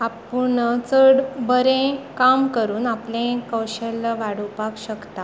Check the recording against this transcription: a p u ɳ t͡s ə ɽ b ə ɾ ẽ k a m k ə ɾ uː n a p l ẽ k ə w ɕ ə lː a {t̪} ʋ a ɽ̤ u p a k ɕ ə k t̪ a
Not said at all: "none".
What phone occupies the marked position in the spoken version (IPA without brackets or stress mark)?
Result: none